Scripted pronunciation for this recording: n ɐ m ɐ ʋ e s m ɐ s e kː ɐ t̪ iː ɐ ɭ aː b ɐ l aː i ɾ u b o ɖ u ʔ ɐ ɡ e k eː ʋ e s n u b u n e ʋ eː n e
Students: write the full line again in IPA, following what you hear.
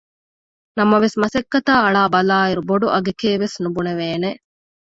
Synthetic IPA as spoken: n ɐ m ɐ ʋ e s m ɐ s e kː ɐ t̪ aː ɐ ɭ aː b ɐ l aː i ɾ u b o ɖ u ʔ ɐ ɡ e k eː ʋ e s n u b u n e ʋ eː n e